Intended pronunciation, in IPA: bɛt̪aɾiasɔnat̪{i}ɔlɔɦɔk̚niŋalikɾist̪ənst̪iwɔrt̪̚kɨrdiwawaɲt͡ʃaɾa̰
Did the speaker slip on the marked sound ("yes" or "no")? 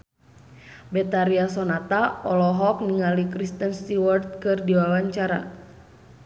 yes